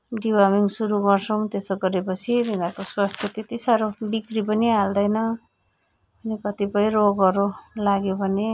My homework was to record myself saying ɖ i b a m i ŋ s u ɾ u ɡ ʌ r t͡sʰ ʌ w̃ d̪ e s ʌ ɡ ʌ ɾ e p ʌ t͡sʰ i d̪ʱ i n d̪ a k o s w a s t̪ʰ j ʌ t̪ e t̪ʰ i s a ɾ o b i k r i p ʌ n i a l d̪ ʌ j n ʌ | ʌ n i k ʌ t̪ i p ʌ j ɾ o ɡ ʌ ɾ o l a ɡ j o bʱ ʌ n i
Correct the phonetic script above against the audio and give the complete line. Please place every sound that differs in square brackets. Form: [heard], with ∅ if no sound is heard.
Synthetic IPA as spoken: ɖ i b a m i ŋ s u ɾ u ɡ ʌ r t͡sʰ ʌ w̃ [t̪] e s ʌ ɡ ʌ ɾ e p ʌ t͡sʰ i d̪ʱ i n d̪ a k o s w a s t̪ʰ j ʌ t̪ e [t̪] i s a ɾ o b i k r i p ʌ n i a l d̪ ʌ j n ʌ | ʌ n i k ʌ t̪ i p ʌ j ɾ o ɡ ʌ ɾ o l a ɡ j o bʱ ʌ n [e]